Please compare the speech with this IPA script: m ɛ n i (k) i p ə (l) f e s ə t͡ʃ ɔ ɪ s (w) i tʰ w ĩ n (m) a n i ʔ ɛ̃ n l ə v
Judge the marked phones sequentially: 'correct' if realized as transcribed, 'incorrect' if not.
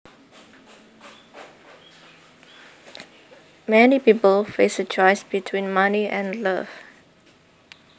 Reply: incorrect: p, correct, incorrect: b, correct

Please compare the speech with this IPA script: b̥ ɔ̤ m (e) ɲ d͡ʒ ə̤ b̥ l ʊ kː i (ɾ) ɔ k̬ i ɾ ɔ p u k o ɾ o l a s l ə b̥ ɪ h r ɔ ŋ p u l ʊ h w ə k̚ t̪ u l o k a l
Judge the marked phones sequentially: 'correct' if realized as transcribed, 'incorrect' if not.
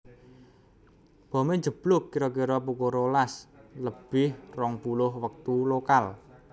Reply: correct, correct

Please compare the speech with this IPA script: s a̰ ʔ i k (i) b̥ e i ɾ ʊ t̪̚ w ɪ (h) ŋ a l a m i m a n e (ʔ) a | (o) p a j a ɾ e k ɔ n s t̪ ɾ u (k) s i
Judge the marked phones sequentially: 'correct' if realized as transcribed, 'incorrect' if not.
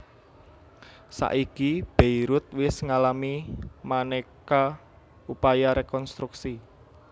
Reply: correct, incorrect: s, incorrect: k, incorrect: u, correct

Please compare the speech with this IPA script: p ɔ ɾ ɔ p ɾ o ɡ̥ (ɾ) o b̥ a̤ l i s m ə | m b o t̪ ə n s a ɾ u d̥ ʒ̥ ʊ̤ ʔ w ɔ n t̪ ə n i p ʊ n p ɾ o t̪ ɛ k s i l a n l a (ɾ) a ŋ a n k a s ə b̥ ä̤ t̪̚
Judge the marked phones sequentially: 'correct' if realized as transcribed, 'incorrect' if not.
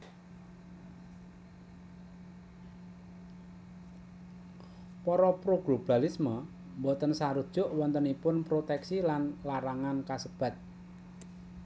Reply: incorrect: l, correct

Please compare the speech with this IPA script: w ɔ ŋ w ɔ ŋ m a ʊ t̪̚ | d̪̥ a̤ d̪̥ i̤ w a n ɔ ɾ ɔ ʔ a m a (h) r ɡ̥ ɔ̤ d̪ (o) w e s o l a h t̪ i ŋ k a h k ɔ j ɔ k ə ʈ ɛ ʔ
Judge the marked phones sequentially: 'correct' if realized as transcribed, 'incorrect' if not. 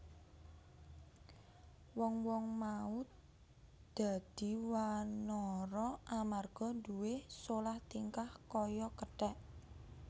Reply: incorrect: none, incorrect: u

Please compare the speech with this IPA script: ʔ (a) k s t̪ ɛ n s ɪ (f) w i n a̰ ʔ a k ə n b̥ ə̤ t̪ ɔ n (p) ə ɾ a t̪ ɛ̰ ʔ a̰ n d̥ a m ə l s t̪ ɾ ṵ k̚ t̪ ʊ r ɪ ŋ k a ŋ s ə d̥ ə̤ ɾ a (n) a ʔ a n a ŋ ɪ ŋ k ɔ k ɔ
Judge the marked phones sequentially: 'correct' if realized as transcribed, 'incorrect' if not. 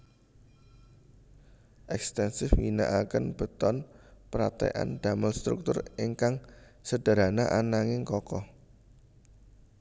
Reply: incorrect: ɛ, correct, correct, correct

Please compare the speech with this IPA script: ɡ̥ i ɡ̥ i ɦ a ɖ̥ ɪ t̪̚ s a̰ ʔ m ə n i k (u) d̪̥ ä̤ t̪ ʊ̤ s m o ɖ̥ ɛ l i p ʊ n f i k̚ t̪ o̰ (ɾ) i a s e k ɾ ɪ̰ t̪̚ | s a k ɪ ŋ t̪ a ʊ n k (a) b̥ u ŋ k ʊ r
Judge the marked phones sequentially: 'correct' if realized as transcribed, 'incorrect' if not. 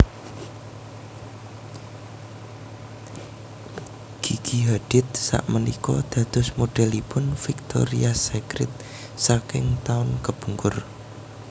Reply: incorrect: ɔ, correct, incorrect: ə

